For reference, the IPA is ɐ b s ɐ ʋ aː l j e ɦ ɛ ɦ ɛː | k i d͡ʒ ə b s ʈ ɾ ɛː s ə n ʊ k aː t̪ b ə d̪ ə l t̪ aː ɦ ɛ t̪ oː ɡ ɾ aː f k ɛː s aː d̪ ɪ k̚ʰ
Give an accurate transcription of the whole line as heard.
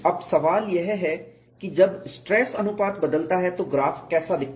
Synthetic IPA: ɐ b s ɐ ʋ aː l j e ɦ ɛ ɦ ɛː | k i d͡ʒ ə b s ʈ ɾ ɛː s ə n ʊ p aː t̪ b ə d̪ ə l t̪ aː ɦ ɛ t̪ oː ɡ ɾ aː f k ɛː s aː d̪ ɪ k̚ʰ